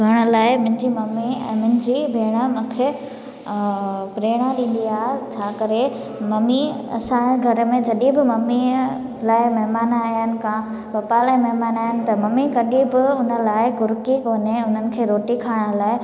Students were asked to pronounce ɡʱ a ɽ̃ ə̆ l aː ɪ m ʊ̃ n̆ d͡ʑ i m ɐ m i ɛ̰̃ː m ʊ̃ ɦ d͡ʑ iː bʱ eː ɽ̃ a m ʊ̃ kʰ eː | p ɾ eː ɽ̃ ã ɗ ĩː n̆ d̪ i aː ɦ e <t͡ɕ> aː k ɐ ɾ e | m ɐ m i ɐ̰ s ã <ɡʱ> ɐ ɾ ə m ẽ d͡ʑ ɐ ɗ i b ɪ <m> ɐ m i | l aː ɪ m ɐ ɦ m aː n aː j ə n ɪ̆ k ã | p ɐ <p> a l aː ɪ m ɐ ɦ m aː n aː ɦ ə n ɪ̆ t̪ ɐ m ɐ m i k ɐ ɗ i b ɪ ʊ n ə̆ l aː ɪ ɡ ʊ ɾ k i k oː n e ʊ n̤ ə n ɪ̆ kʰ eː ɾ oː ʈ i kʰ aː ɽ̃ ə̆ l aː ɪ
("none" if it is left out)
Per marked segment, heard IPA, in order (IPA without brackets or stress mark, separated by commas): t͡ɕʰ, ɡʱ, m, p